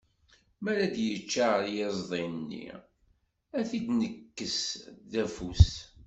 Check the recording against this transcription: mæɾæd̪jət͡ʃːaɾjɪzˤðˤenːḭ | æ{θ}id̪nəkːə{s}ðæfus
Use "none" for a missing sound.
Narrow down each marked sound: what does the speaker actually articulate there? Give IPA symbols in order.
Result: θ, s

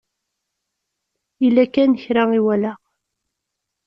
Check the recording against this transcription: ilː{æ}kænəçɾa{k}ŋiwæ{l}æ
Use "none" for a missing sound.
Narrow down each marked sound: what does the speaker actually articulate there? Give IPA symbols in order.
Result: æ, none, l

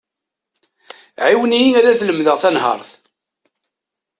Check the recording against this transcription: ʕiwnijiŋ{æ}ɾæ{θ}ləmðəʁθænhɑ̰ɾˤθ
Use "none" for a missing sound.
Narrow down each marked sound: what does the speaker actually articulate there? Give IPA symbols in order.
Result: æ, θ

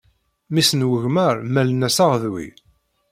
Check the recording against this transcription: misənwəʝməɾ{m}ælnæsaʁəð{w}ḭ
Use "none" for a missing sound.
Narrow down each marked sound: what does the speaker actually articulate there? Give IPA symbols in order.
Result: m, w

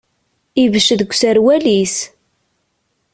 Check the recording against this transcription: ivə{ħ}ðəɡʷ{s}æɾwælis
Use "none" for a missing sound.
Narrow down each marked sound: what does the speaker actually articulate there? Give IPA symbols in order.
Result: ʃ, s

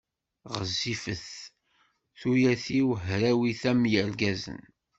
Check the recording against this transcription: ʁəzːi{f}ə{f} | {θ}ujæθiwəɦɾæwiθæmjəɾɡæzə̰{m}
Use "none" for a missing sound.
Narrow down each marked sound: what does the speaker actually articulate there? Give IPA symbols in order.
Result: f, θ, θ, n

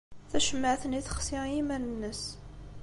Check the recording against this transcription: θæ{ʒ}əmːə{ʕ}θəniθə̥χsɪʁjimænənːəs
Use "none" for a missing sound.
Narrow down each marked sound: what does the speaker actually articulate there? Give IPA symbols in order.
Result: ʃ, ʕ

